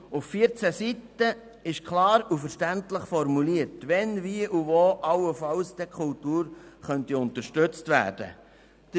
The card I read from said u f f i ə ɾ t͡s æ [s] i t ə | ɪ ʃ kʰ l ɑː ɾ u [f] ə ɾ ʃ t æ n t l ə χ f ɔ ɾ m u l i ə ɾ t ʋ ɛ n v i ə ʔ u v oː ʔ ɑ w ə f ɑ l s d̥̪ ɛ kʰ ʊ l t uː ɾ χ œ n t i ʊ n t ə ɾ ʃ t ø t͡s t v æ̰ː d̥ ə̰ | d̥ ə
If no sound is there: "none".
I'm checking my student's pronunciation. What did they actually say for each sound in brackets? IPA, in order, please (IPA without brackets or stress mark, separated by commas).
s, f